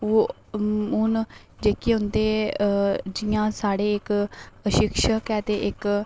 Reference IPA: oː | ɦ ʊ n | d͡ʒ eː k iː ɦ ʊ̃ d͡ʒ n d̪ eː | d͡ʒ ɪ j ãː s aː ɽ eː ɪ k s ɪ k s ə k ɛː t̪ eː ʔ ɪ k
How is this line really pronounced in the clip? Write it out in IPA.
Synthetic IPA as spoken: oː | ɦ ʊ n | d͡ʒ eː k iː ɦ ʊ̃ n d̪ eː | d͡ʒ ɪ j ãː s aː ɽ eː ɪ k ʃ ɪ k ʃ ə k ɛː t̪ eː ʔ ɪ k